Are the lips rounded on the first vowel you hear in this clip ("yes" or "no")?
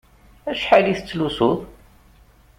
no